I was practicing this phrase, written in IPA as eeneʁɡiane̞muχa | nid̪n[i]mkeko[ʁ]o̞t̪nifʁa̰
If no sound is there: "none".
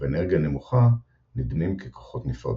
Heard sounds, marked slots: i, χ

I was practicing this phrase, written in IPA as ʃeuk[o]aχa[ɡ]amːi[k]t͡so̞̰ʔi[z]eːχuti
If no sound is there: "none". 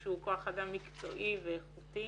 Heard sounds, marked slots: o, d, k, v

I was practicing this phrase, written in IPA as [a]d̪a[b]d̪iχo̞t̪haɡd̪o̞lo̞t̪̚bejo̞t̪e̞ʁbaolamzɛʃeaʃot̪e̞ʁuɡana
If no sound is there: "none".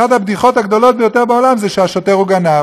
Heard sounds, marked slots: a, b

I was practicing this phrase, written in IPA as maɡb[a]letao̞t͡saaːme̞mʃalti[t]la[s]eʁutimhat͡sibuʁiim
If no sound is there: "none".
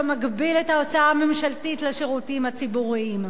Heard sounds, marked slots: i, t, ʃ

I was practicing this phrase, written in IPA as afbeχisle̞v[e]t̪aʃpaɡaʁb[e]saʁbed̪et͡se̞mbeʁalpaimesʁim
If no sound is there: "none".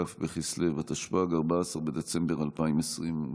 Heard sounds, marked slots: a, a

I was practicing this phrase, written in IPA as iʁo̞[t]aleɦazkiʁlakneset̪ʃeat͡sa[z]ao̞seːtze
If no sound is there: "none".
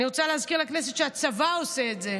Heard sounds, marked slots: t͡s, v

